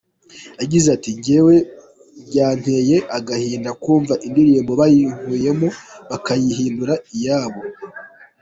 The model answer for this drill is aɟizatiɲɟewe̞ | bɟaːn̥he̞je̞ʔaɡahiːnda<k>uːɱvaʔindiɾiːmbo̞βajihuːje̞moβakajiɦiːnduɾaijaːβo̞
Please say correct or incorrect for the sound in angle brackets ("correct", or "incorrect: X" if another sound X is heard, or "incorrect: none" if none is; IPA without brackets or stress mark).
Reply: correct